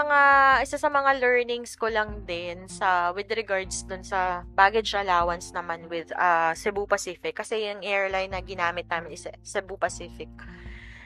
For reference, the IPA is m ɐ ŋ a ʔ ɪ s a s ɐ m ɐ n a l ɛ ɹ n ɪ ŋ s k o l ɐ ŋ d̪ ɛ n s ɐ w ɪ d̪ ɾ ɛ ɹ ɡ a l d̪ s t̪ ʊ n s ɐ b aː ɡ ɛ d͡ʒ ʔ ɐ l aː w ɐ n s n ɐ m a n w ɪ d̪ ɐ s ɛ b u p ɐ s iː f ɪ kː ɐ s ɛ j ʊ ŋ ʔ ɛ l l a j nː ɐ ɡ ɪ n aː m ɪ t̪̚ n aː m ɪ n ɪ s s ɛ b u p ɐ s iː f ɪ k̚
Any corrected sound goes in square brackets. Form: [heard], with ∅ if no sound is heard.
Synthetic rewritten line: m ɐ ŋ a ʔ ɪ s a s ɐ m ɐ [ŋ] a l ɛ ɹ n ɪ ŋ s k o l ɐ ŋ d̪ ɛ n s ɐ w ɪ d̪ ɾ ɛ [∅] ɡ a [ɹ] d̪ s [d̪] ʊ n s ɐ b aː ɡ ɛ d͡ʒ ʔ ɐ l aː w ɐ n s n ɐ m a n w ɪ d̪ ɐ s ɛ b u p ɐ s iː f ɪ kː ɐ s ɛ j ʊ ŋ ʔ ɛ [ɹ] l a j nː ɐ ɡ ɪ n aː m ɪ t̪̚ n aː m ɪ n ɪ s s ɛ b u p ɐ s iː f ɪ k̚